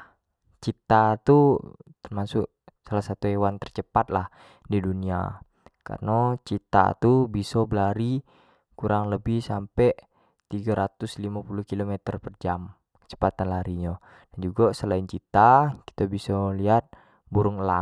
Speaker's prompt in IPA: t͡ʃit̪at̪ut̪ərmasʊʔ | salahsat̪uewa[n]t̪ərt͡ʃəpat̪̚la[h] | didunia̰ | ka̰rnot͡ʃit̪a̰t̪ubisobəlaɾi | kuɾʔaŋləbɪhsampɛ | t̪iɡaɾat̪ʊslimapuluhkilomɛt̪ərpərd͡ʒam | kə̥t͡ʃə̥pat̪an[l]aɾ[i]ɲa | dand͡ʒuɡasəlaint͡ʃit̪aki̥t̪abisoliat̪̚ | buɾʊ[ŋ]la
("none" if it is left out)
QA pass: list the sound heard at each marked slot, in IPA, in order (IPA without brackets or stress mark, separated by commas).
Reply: n, h, l, i, ŋ